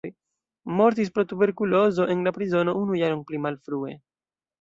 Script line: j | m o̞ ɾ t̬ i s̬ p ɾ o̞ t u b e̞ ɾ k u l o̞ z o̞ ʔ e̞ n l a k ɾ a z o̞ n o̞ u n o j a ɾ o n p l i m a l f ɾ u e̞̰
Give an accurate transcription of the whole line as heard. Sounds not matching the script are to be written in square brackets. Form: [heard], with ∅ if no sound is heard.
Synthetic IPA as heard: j | m o̞ ɾ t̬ i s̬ p ɾ o̞ t u b e̞ ɾ k u l o̞ z o̞ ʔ e̞ n l a [p] ɾ [i] z o̞ n o̞ u n [u] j a ɾ o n p l i m a l f ɾ u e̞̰